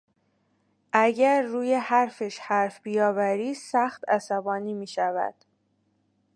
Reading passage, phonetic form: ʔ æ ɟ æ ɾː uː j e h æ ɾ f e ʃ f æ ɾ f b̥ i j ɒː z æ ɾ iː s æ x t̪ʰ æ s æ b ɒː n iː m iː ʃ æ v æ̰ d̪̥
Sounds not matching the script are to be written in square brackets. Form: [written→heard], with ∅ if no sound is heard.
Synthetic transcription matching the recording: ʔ æ ɟ æ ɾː uː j e h æ ɾ f e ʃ [f→h] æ ɾ f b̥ i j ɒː [z→v] æ ɾ iː s æ x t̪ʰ æ s æ b ɒː n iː m iː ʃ æ v æ̰ d̪̥